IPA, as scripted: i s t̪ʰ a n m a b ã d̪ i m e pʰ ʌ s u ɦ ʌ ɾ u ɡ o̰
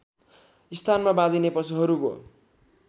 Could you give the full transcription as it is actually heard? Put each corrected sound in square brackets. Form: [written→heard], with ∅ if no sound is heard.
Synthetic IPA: i s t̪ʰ a n m a b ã d̪ i [m→n] e [pʰ→p] ʌ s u ɦ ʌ ɾ u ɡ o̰

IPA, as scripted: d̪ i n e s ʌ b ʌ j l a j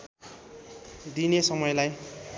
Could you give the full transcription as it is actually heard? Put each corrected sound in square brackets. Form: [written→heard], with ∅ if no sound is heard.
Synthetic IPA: d̪ i n e s ʌ [b→m] ʌ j l a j

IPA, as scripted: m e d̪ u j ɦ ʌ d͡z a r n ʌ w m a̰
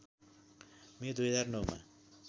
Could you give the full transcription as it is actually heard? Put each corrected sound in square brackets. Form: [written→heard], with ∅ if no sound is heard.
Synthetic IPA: m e d̪ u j ɦ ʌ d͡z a r n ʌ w m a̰

